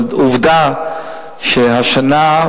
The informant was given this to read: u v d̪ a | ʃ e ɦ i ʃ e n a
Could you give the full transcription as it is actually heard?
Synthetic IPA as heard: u v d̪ a | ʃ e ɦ a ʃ a n a